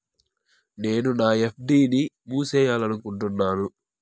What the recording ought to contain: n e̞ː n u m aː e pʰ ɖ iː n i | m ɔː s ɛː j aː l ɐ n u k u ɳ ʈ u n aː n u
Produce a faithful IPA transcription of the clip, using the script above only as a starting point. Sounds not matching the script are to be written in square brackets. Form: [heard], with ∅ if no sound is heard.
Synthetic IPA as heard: n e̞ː n u [n] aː e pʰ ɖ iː n i | m [uː] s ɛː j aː l ɐ n u k u ɳ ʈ u [nː] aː n u